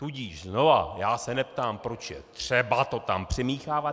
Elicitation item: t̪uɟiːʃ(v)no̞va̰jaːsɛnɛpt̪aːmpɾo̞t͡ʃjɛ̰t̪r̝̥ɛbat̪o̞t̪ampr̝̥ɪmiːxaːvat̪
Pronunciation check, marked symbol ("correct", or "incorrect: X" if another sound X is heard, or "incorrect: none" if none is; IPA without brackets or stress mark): incorrect: z